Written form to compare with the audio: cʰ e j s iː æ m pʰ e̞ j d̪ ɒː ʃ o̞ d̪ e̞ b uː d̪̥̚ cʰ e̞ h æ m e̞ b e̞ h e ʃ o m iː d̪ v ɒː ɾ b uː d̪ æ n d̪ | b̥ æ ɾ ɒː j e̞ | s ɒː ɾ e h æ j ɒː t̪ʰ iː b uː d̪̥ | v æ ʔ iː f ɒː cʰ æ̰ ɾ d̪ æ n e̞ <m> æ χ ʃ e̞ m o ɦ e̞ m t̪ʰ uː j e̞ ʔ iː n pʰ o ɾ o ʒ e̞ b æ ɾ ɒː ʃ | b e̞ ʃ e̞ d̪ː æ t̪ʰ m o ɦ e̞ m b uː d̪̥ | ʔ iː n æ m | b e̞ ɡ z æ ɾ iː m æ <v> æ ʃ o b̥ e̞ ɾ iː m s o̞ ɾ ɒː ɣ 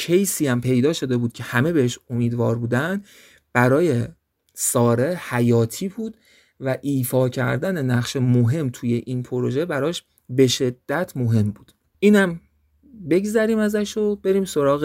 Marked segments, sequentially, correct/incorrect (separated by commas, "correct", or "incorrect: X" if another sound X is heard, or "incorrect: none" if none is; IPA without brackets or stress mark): incorrect: n, incorrect: z